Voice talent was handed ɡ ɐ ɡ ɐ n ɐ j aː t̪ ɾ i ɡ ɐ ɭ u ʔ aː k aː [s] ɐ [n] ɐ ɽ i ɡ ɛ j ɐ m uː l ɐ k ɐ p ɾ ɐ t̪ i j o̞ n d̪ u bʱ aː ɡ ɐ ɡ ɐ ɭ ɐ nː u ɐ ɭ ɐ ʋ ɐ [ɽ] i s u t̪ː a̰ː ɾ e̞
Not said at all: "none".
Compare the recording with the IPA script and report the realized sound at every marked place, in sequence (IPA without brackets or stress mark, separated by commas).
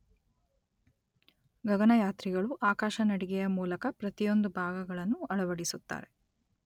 ʃ, n, ɽ